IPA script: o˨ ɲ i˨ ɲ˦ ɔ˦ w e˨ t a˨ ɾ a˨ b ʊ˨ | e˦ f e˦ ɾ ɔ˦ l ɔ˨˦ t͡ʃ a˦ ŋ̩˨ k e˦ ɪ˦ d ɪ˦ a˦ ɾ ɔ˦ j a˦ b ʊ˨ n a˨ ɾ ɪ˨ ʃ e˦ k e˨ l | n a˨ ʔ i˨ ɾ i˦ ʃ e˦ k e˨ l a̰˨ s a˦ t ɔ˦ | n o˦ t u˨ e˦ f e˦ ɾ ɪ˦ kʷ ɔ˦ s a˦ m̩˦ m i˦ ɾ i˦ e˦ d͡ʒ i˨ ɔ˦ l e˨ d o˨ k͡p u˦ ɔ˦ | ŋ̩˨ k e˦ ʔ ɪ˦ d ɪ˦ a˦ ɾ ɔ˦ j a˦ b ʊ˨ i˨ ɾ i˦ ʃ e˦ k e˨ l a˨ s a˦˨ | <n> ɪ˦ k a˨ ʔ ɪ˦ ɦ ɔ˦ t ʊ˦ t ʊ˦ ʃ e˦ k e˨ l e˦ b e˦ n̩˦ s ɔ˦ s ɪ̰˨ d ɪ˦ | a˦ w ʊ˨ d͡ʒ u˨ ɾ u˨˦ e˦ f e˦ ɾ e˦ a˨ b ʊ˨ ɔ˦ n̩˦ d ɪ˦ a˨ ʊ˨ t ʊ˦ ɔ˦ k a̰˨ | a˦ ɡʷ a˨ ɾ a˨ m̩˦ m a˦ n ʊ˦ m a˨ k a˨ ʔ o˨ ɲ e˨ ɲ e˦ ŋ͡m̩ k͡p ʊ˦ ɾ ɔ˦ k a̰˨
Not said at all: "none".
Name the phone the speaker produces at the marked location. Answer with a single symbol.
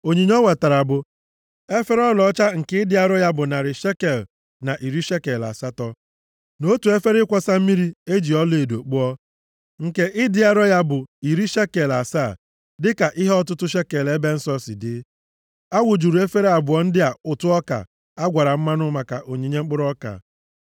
d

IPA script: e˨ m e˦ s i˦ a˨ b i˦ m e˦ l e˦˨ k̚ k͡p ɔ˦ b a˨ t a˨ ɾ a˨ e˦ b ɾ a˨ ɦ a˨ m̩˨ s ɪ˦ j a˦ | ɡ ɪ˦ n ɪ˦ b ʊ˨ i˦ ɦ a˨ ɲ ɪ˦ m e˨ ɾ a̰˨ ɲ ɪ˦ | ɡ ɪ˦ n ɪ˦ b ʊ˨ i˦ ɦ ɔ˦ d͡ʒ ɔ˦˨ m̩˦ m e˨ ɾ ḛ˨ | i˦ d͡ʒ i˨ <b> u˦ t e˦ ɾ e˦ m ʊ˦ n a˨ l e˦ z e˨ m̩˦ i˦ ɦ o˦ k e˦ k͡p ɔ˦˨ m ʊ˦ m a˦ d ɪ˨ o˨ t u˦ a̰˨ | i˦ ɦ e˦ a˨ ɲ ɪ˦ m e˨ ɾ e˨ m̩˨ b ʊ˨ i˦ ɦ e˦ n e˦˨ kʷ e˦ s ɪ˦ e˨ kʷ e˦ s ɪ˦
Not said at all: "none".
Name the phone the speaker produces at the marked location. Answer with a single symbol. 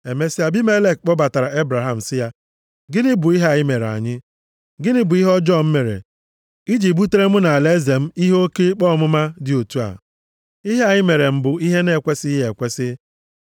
b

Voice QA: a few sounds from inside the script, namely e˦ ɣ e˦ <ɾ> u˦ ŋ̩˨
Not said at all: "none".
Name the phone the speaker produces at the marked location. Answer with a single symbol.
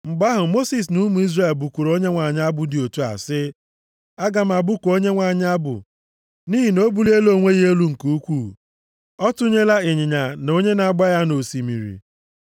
l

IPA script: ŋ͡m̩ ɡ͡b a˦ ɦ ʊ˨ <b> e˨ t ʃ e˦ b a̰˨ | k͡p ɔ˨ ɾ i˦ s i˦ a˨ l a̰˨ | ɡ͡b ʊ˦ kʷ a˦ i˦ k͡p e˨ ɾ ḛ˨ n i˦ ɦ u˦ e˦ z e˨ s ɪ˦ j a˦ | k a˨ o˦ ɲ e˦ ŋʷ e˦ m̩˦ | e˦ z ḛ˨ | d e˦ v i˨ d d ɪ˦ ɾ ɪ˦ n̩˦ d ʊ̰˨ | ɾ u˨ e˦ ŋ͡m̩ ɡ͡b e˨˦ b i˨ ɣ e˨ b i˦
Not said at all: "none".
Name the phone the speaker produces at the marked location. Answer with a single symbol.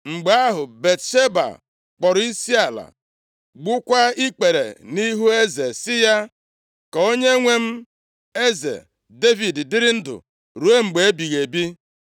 b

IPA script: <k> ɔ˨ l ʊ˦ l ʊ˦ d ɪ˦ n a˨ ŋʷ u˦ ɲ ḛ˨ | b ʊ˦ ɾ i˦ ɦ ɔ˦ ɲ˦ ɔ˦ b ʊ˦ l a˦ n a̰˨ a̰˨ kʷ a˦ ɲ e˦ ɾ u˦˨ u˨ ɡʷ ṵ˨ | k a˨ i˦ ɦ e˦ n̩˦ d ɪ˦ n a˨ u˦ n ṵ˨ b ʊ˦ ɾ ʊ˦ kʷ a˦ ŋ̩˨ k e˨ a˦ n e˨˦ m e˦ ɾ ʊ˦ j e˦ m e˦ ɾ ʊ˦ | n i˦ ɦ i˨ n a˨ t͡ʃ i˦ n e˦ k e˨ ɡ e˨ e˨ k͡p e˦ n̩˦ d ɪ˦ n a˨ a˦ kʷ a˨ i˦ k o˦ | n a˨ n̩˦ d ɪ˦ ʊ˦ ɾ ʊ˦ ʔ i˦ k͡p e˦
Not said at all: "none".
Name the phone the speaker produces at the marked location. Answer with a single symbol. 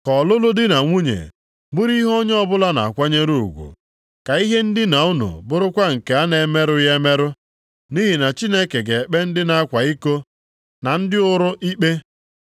k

